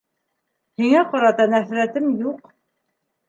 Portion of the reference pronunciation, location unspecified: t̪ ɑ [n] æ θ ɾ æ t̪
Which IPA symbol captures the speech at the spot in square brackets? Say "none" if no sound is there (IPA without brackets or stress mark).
n